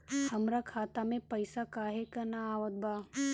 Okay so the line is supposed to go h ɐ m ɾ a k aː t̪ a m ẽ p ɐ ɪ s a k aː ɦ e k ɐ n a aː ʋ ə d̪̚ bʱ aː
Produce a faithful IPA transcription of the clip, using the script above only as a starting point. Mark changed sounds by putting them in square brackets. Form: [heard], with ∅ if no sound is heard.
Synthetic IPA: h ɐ m ɾ a [kʰ] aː t̪ a m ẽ p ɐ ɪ s a k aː ɦ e k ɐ n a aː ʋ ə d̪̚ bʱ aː

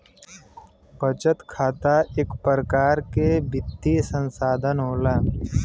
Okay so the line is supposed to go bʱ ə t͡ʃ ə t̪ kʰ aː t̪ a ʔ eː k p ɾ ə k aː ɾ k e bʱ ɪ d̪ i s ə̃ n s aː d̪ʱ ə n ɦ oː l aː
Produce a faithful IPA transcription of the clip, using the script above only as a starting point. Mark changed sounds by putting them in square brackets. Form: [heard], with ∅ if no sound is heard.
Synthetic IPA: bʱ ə t͡ʃ ə t̪ kʰ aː t̪ a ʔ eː k p ɾ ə k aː ɾ k e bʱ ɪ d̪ i s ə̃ n s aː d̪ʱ ə n ɦ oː l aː

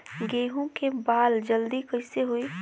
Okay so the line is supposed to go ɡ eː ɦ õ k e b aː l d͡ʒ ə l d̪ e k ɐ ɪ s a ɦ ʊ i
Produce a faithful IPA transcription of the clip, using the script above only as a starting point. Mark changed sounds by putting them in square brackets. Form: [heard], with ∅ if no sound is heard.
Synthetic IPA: ɡ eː ɦ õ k e b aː l d͡ʒ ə l d̪ [i] k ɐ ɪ s [e] ɦ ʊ i

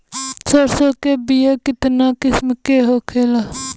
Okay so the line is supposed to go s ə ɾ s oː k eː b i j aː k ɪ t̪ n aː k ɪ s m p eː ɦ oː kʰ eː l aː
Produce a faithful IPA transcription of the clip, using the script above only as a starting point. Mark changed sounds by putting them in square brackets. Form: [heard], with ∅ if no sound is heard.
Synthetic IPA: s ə ɾ s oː k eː b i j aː k ɪ t̪ n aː k ɪ s m [k] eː ɦ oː kʰ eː l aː

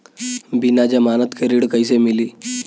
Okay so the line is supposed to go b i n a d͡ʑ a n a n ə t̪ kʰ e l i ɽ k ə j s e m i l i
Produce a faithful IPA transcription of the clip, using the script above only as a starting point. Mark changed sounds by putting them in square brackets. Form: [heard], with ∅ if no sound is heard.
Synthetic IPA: b i n a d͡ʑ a [m] a n ə t̪ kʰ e [ɾ] i ɽ k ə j s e m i l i

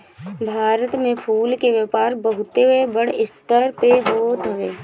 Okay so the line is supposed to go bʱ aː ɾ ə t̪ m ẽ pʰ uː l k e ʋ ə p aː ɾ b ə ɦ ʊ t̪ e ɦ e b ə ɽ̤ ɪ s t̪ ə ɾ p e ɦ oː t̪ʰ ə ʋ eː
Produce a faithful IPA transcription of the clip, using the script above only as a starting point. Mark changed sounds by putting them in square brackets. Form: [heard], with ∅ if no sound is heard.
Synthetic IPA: bʱ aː ɾ ə t̪ m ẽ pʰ uː l k e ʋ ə p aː ɾ b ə ɦ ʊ t̪ e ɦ e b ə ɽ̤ ɪ s t̪ ə ɾ p e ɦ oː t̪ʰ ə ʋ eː

